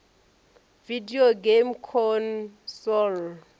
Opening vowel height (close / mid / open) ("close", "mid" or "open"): close